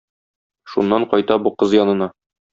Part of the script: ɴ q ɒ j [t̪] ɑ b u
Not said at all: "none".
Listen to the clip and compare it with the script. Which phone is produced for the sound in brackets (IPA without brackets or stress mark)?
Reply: t̪